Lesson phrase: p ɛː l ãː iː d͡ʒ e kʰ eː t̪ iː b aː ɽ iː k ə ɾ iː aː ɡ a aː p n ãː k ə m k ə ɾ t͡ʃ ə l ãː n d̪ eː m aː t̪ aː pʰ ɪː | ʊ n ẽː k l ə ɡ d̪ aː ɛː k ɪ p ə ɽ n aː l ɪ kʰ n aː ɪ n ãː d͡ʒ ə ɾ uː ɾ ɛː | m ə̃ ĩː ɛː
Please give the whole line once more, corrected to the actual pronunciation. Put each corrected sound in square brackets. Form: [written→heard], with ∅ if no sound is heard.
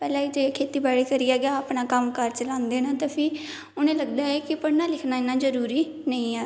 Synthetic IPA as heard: p ɛː l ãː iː d͡ʒ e kʰ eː t̪ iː b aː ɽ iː k ə ɾ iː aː ɡ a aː p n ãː k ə m k ə ɾ t͡ʃ ə l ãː n d̪ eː [m→n] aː t̪ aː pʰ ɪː | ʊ n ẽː [k→∅] l ə ɡ d̪ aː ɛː k ɪ p ə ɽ n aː l ɪ kʰ n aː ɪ n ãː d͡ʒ ə ɾ uː ɾ [ɛː→iː] | [m→n] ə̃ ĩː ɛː